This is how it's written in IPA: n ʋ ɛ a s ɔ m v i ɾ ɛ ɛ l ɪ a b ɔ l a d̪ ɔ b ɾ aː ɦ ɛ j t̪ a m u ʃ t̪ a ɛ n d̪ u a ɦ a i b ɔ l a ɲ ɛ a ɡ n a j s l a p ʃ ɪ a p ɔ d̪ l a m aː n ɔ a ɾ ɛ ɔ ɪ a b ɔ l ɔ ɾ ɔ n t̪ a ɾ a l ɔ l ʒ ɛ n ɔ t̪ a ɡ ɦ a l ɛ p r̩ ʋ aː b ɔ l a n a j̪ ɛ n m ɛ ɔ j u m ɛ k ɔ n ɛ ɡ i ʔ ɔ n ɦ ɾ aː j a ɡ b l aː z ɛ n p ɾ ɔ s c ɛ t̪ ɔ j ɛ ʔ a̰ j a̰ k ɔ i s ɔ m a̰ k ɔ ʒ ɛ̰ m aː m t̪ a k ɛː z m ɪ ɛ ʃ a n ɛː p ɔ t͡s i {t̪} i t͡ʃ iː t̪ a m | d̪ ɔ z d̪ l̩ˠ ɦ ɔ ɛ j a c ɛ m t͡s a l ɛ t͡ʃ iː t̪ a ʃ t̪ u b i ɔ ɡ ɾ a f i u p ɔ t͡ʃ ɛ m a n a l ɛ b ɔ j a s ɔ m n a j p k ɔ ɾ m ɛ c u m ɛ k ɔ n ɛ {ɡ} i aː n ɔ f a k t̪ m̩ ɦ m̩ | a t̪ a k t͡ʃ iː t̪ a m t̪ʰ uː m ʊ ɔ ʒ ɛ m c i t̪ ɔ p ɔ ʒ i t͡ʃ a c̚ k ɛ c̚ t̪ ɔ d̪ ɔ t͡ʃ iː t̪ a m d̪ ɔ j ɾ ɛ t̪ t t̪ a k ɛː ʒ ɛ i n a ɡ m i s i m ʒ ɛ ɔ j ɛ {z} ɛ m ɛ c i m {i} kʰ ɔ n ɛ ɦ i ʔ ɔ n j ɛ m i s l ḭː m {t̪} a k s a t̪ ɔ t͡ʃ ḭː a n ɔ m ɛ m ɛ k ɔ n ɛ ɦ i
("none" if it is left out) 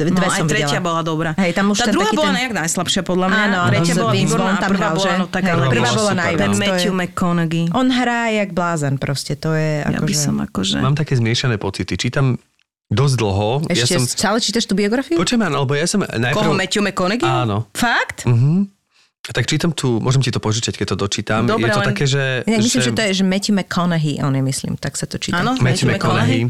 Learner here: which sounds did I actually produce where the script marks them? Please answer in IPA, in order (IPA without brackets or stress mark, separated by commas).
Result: t̪, ɡ, ʒ, ɛ, t̪